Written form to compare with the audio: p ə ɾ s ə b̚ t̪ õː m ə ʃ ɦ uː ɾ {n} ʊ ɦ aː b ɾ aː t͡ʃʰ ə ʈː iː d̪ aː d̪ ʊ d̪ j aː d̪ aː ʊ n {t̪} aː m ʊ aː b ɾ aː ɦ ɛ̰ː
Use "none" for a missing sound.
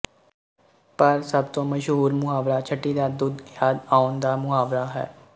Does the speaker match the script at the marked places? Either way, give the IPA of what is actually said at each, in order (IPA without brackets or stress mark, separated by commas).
m, d̪